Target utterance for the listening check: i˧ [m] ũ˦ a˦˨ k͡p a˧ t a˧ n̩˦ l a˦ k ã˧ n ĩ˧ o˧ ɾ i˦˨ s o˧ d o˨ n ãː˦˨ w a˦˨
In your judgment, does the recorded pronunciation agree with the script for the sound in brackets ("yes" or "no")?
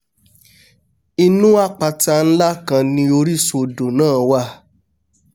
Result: no